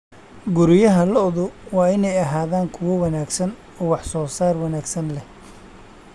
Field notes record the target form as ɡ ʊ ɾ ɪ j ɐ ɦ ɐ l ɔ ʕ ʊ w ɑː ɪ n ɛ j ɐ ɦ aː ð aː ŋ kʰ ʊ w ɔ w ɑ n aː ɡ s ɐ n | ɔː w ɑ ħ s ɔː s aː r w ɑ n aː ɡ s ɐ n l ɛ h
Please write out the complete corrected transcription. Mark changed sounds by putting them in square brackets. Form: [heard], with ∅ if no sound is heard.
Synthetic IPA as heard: ɡ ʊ ɾ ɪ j ɐ ɦ ɐ l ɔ [ð] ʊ w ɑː ɪ n ɛ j ɐ ɦ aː ð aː ŋ kʰ ʊ w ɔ w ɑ n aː ɡ s ɐ n | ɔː w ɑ ħ s ɔː s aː r w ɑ n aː ɡ s ɐ n l ɛ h

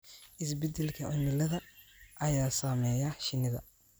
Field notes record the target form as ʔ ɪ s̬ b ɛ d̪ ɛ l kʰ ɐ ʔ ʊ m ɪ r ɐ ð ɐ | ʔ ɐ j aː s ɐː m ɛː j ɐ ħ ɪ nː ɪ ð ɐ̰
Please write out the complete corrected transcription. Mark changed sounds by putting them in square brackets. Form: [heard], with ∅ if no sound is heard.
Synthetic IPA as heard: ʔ ɪ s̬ b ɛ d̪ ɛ l kʰ ɐ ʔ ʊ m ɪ [l] ɐ ð ɐ | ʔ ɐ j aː s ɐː m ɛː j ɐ [ʃ] ɪ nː ɪ ð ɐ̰

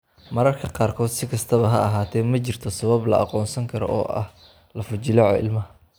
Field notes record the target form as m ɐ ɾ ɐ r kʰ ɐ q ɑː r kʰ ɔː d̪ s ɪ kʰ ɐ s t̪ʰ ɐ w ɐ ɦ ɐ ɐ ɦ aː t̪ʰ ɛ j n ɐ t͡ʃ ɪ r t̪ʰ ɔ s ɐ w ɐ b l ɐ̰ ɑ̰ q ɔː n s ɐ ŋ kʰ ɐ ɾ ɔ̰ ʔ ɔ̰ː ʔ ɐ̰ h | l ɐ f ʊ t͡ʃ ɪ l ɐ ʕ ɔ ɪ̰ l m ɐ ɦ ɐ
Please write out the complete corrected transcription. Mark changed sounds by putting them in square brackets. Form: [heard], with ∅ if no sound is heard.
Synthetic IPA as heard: m ɐ ɾ ɐ r kʰ ɐ q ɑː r kʰ ɔː d̪ s ɪ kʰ ɐ s t̪ʰ ɐ [β] ɐ ɦ ɐ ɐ ɦ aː t̪ʰ ɛ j [m] ɐ t͡ʃ ɪ r t̪ʰ ɔ s ɐ [β] ɐ b l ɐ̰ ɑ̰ q ɔː n s ɐ ŋ kʰ ɐ ɾ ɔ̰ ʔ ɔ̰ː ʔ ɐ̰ h | l ɐ f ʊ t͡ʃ ɪ l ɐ ʕ ɔ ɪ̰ l m ɐ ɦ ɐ

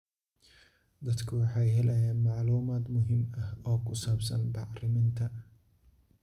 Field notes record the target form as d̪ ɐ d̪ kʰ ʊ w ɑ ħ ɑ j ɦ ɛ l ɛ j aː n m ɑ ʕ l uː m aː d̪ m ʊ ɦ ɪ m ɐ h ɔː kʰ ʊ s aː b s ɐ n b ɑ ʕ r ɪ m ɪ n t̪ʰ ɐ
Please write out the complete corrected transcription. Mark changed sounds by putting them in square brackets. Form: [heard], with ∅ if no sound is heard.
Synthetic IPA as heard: d̪ ɐ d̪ kʰ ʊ w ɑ ħ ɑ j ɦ ɛ l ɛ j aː n m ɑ ʕ l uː m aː d̪ m ʊ ɦ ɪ m ɐ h ɔː kʰ ʊ s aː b s ɐ n b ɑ ʕ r ɪ m ɪ n t̪ʰ ɐ

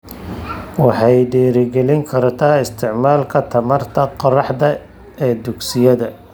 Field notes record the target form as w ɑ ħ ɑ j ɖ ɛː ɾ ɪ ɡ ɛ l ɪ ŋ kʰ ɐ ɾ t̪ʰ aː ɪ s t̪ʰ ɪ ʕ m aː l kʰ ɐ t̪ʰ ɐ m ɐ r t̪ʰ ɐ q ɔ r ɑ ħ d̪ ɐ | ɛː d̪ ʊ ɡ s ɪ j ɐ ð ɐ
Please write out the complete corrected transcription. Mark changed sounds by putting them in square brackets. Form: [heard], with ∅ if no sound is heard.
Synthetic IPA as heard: w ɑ ħ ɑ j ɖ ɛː ɾ ɪ ɡ ɛ l ɪ ŋ kʰ ɐ ɾ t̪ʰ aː ɪ s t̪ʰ ɪ ʕ m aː l kʰ ɐ t̪ʰ ɐ m ɐ r t̪ʰ ɐ q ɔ r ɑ ħ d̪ ɐ | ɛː d̪ ʊ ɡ s ɪ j ɐ ð ɐ

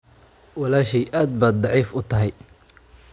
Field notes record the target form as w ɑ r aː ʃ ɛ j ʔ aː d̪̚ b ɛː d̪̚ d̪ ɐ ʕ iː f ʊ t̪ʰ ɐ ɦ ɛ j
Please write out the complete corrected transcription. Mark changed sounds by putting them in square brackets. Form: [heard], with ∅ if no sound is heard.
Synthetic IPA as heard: w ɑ [l] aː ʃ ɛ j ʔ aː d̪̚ b [aː] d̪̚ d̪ [ɑ] ʕ iː f ʊ t̪ʰ ɐ ɦ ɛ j

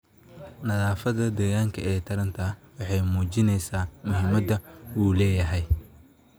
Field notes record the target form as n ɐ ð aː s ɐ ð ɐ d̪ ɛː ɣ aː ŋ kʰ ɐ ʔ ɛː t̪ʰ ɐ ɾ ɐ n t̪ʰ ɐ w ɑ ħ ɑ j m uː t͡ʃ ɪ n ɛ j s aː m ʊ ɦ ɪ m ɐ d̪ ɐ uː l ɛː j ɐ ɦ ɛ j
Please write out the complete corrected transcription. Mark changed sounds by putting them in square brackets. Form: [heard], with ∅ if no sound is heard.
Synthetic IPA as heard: n ɐ ð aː [f] ɐ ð ɐ d̪ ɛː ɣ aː ŋ kʰ ɐ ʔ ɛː t̪ʰ ɐ ɾ ɐ n t̪ʰ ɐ w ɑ ħ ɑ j m uː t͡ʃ ɪ n ɛ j s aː m ʊ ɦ ɪ m ɐ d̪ ɐ uː l ɛː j ɐ ɦ ɛ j

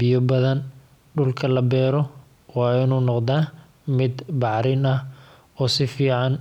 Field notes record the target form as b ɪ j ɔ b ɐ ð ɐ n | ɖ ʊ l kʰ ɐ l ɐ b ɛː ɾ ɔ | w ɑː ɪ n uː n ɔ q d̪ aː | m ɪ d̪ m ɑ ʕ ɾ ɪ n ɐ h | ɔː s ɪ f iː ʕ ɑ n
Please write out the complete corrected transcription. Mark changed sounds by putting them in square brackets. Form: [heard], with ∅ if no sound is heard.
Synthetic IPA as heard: b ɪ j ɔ b ɐ ð ɐ n | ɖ ʊ l kʰ ɐ l ɐ b ɛː ɾ ɔ | w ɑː ɪ n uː n ɔ q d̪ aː | m ɪ d̪ [b] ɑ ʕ ɾ ɪ n ɐ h | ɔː s ɪ f iː ʕ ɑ n

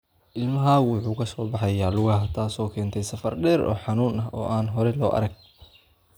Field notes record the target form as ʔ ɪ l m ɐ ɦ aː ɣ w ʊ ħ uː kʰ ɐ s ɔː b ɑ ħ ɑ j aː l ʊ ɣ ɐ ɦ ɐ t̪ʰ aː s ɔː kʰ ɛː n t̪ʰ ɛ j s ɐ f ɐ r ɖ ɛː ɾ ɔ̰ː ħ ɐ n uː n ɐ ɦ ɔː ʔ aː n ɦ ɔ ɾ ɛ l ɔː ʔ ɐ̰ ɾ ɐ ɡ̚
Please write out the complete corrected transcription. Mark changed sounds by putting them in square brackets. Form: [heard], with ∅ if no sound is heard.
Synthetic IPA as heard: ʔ ɪ l m ɐ ɦ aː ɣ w ʊ ħ uː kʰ ɐ s ɔː b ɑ ħ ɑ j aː l ʊ ɣ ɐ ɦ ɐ t̪ʰ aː s ɔː kʰ ɛː n t̪ʰ ɛ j s ɐ f ɐ r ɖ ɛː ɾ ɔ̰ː ħ [ɑ] n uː n ɐ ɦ ɔː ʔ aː n ɦ ɔ ɾ ɛ l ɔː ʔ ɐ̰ ɾ ɐ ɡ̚

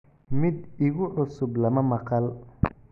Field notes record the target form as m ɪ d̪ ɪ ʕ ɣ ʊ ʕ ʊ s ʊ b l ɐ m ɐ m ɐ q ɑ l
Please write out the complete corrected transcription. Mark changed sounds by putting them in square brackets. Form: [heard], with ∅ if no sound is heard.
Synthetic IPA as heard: m ɪ d̪ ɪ [∅] ɣ ʊ ʕ ʊ s ʊ b l ɐ m ɐ m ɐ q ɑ l

